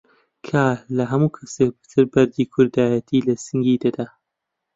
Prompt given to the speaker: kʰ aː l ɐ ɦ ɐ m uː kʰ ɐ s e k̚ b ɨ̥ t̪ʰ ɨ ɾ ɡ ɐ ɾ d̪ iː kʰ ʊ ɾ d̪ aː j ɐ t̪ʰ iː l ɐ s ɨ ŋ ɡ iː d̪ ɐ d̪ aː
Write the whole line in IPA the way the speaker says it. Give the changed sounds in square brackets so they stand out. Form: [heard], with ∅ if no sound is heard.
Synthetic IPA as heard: kʰ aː l ɐ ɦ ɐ m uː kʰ ɐ s e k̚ b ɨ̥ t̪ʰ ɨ ɾ [b] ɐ ɾ d̪ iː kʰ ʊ ɾ d̪ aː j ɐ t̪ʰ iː l ɐ s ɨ ŋ ɡ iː d̪ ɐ d̪ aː